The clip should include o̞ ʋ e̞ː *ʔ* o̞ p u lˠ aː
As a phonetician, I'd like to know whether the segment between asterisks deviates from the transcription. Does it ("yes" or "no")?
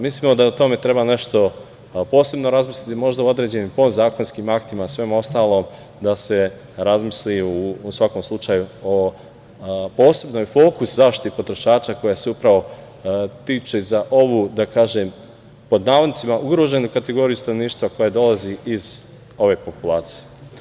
yes